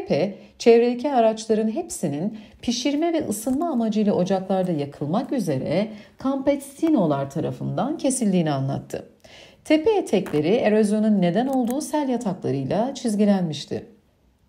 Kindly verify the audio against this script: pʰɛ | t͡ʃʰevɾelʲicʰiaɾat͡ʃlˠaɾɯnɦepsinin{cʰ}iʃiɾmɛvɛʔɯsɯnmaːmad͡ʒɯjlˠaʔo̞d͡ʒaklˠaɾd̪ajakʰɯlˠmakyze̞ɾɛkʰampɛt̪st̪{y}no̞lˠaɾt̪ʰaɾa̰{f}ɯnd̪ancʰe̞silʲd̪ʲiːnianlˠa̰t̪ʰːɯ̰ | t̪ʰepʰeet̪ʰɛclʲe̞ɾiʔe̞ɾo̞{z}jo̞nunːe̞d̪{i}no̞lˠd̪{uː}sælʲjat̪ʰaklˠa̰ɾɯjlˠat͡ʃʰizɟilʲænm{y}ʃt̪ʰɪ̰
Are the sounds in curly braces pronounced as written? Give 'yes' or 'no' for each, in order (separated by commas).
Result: no, no, yes, yes, no, yes, no